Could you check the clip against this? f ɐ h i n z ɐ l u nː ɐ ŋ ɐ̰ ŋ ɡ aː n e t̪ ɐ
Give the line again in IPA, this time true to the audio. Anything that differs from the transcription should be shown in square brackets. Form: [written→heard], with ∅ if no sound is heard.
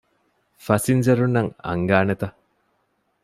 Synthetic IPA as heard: f ɐ [h→s] i n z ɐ [l→ɾ] u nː ɐ ŋ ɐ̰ ŋ ɡ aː n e t̪ ɐ